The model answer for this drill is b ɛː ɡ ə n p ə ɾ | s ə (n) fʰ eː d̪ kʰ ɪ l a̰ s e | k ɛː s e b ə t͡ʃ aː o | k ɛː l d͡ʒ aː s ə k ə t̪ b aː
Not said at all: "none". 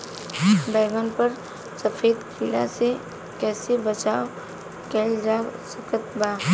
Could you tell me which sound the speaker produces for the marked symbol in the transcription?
none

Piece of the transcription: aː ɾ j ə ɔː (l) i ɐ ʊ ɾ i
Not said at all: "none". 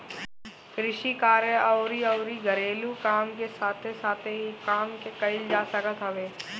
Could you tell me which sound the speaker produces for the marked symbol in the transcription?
ɾ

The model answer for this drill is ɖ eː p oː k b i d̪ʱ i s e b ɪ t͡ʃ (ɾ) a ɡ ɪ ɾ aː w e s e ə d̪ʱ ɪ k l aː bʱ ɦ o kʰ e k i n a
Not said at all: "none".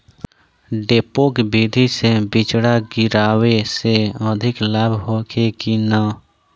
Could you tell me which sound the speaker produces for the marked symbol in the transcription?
ɽ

